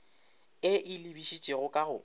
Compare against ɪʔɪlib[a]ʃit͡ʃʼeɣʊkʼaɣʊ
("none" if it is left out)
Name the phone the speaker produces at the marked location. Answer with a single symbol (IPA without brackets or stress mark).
i